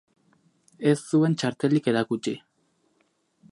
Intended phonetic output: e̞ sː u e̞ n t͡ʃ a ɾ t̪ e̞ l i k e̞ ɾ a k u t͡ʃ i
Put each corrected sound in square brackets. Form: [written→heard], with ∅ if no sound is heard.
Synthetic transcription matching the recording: e̞ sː u e̞ n t͡ʃ a ɾ t̪ e̞ l i k e̞ ɾ a k u t͡ʃ i

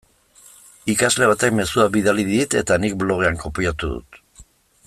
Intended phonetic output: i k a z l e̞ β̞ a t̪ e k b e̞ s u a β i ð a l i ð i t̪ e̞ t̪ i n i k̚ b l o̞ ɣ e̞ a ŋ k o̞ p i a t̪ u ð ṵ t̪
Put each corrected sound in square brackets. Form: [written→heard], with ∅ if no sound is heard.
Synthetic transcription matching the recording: i k a z l e̞ β̞ a t̪ e k [b→m] e̞ s u a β i ð a l i ð i t̪ e̞ t̪ [i→a] n i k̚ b l o̞ ɣ e̞ a ŋ k o̞ p i a t̪ u ð ṵ t̪

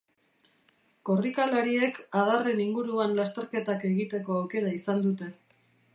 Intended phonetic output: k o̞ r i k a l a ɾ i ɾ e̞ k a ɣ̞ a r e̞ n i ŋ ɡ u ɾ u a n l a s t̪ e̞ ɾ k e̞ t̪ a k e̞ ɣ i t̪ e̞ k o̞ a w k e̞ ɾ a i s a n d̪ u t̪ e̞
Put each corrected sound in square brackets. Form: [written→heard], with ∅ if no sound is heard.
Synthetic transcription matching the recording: k o̞ r i k a l a ɾ i [ɾ→∅] e̞ k a [ɣ̞→ð̞] a r e̞ n i ŋ ɡ u ɾ u a n l a s t̪ e̞ ɾ k e̞ t̪ a k e̞ ɣ i t̪ e̞ k o̞ a w k e̞ ɾ a i s a n d̪ u t̪ e̞

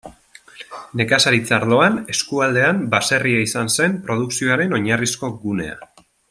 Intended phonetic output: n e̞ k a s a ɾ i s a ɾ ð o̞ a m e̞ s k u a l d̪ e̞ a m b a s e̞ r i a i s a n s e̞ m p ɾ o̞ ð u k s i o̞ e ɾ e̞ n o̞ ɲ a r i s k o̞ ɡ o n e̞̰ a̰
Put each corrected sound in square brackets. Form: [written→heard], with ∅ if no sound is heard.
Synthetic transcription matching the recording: n e̞ k a s a ɾ i [s→t͡s] a ɾ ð o̞ a [m→n] e̞ s k u a l d̪ e̞ a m b a s e̞ r i a i s a n s e̞ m p ɾ o̞ ð u k s i o̞ [e→a] ɾ e̞ n o̞ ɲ a r i s k o̞ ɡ [o→u] n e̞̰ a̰

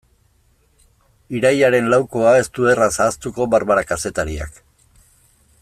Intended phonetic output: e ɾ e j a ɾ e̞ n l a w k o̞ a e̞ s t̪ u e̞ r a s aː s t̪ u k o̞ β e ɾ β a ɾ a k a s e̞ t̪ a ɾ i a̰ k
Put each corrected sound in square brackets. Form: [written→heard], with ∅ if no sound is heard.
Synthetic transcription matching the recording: [e→i] ɾ [e→a] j a ɾ e̞ n l a w k o̞ a e̞ s t̪ u e̞ r a s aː s t̪ u k o̞ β [e→a] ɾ β a ɾ a k a s e̞ t̪ a ɾ i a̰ k

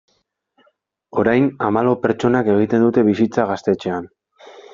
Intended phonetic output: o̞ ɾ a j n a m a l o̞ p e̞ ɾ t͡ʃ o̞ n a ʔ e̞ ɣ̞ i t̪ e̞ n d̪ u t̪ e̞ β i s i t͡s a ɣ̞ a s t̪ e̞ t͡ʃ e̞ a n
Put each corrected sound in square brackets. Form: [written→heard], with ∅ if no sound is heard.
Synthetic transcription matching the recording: o̞ ɾ a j n a m a l o̞ p e̞ ɾ t͡ʃ o̞ n a [ʔ→k] e̞ ɣ̞ i t̪ e̞ n d̪ u t̪ e̞ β i s i t͡s a ɣ̞ a s t̪ e̞ t͡ʃ e̞ a n

